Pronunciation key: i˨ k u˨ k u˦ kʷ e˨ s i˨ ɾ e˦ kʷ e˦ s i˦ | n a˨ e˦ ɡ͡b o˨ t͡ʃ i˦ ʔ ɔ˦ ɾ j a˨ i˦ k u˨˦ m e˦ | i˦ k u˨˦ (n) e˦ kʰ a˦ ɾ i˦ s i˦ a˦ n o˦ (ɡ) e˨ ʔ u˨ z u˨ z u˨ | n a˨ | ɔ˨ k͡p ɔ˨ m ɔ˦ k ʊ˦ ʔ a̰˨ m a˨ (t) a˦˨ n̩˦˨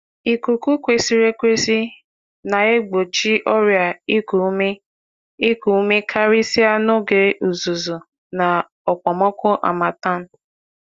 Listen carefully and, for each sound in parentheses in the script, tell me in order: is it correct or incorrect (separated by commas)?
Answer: incorrect, correct, correct